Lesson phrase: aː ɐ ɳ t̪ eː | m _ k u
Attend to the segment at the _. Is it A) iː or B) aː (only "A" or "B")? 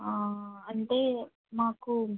B